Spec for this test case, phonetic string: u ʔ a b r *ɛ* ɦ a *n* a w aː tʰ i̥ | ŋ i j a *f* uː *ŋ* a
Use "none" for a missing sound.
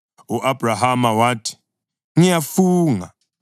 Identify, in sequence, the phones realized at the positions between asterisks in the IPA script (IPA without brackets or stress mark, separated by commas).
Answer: a, m, f, ŋ